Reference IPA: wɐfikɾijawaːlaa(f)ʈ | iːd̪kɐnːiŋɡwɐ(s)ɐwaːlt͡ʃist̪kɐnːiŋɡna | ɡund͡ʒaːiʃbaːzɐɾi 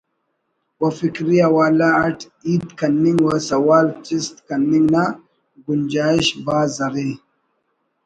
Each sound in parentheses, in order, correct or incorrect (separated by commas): incorrect, correct